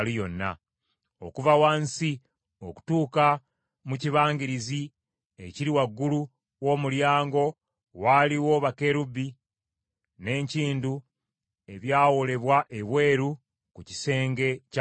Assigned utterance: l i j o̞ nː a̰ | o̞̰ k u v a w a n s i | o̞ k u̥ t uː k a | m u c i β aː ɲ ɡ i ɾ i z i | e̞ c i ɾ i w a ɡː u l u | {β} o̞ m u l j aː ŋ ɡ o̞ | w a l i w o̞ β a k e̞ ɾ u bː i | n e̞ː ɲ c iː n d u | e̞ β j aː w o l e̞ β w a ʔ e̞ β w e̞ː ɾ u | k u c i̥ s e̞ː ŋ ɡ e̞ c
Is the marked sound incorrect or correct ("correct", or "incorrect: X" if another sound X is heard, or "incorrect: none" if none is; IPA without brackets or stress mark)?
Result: incorrect: w